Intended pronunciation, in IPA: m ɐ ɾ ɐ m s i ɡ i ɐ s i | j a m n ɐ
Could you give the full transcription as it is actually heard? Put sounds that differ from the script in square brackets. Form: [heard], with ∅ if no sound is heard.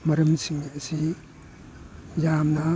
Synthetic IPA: m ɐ ɾ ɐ m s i [ŋ] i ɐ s i | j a m n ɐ